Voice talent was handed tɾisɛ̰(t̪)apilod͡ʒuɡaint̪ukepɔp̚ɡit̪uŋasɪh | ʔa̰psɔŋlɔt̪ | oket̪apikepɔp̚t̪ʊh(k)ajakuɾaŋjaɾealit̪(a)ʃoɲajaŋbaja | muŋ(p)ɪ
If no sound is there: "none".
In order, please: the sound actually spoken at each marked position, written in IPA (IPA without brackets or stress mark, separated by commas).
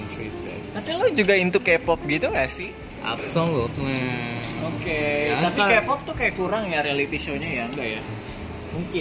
t̪, k, i, k